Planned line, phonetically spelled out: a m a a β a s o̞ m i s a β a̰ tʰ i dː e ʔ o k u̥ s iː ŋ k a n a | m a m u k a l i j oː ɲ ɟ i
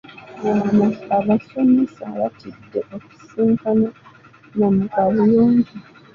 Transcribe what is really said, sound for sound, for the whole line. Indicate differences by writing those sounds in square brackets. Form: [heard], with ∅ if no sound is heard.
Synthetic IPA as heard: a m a a β a s o̞ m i s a β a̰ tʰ i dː e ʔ o k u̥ s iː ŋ k a n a | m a m u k a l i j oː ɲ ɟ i